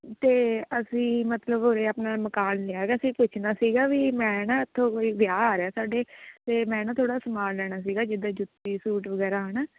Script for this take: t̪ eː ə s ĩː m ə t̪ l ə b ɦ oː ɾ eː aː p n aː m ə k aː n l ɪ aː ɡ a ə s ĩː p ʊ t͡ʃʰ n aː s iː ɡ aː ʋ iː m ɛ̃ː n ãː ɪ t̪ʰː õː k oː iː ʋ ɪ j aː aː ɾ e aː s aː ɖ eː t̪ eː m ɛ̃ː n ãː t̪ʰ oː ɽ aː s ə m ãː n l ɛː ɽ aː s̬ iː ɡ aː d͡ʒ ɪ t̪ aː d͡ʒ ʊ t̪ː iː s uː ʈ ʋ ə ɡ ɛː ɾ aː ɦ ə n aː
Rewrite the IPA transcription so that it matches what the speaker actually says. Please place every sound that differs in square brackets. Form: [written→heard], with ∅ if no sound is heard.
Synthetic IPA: t̪ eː ə s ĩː m ə t̪ l ə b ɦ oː ɾ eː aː p n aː m ə k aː n l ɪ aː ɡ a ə s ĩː p ʊ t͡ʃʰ n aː s iː ɡ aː ʋ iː m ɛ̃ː n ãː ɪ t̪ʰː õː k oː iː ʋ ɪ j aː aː ɾ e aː s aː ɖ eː t̪ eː m ɛ̃ː n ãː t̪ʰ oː ɽ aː s ə m [ãː→aː] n l ɛː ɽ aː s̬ iː ɡ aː d͡ʒ ɪ [t̪→d̪] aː d͡ʒ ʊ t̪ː iː s uː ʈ ʋ ə ɡ ɛː ɾ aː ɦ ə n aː